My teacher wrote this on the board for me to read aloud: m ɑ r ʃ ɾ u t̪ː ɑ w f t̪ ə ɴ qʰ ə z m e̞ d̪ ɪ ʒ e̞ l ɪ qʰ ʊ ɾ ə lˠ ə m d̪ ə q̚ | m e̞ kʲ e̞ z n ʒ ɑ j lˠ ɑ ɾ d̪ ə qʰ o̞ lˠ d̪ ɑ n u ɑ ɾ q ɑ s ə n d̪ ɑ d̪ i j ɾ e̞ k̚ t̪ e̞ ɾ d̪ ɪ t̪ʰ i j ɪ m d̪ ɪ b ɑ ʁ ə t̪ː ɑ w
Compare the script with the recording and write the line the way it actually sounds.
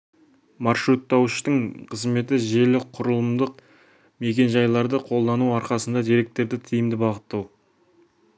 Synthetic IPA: m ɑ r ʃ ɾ u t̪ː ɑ w ʃ t̪ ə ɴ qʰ ə z m e̞ t̪ ɪ ʒ e̞ l ɪ qʰ ʊ ɾ ə lˠ ə m d̪ ə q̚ | m e̞ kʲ e̞ n ʒ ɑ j lˠ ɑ ɾ d̪ ə qʰ o̞ lˠ d̪ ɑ n u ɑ ɾ q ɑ s ə n d̪ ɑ d̪ i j ɾ e̞ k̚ t̪ e̞ ɾ d̪ ɪ t̪ʰ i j ɪ m d̪ ɪ b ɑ ʁ ə t̪ː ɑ w